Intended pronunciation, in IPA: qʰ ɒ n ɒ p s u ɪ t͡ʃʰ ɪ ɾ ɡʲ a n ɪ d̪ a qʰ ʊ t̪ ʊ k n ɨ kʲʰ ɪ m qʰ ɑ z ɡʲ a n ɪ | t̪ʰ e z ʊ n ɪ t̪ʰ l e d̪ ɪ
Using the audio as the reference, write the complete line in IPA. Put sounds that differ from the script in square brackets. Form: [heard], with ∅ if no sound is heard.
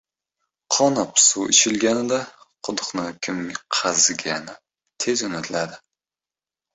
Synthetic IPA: qʰ ɒ n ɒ p s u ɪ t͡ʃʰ ɪ [l] ɡʲ a n ɪ d̪ a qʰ ʊ [d̪] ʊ [q] n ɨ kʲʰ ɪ m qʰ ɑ z ɡʲ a n ɪ | t̪ʰ e z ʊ n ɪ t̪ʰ l [a] d̪ ɪ